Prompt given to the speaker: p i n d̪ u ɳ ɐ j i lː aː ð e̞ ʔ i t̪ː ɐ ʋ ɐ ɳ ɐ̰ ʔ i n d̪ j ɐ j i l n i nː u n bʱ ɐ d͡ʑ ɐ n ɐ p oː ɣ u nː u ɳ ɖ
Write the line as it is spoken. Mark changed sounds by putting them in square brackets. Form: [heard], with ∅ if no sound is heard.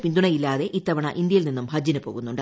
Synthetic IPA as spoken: p i n d̪ u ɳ ɐ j i lː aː ð e̞ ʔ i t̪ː ɐ ʋ ɐ ɳ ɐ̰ ʔ i n d̪ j ɐ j i l n i nː u [m] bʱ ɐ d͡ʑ ɐ n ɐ p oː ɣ u nː u ɳ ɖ